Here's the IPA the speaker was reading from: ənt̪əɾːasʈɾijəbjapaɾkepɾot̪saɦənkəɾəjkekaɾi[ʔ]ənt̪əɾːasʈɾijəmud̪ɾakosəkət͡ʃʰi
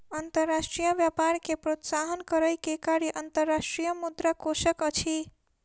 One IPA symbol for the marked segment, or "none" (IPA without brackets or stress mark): ʔ